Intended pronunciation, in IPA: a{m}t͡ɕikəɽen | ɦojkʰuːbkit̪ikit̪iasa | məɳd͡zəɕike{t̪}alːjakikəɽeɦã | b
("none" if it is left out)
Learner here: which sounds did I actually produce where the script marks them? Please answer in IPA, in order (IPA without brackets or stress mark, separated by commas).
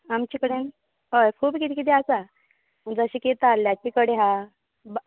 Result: m, t̪